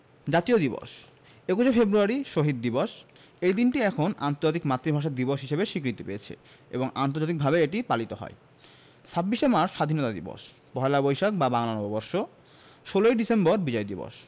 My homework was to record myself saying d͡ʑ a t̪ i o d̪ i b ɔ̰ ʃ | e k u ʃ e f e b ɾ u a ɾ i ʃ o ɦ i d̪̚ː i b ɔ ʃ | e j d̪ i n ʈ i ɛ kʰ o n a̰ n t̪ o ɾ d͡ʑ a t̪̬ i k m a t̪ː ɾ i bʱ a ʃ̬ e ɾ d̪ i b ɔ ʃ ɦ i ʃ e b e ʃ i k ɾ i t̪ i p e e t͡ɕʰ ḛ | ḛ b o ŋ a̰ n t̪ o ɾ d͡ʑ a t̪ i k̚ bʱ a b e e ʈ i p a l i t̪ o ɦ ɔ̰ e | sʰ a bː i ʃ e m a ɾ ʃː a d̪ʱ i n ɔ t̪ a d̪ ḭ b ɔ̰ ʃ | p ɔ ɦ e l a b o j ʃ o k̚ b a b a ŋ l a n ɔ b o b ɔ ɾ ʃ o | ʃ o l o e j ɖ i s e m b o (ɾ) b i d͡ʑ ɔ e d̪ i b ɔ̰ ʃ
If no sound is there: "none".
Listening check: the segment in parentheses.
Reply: ɾ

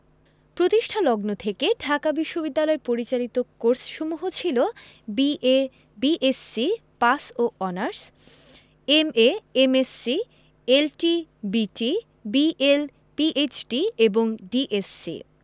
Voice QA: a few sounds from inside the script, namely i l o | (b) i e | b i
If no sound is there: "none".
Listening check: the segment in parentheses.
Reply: b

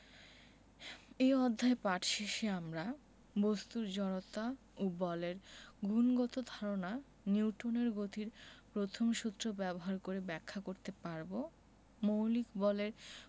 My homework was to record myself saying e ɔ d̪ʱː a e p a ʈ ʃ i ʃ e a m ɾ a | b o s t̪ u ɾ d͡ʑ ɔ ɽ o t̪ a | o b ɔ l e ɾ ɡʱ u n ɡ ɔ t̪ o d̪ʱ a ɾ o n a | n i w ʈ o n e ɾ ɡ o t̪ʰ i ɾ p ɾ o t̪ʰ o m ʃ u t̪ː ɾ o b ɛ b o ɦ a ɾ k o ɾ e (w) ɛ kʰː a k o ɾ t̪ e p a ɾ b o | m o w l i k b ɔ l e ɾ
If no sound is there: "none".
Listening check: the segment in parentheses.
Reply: b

